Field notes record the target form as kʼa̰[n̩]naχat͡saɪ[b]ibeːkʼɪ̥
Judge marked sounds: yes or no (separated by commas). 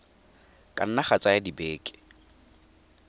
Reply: yes, no